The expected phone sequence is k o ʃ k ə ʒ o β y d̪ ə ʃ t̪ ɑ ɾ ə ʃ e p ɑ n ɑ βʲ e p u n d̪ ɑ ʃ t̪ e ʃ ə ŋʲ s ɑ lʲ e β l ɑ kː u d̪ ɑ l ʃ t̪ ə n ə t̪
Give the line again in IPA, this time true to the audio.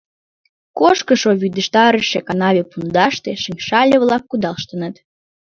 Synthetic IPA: k o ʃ k ə ʃ o β y d̪ ə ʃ t̪ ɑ ɾ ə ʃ e k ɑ n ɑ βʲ e p u n d̪ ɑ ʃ t̪ e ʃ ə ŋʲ ʃ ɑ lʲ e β l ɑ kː u d̪ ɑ l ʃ t̪ ə n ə t̪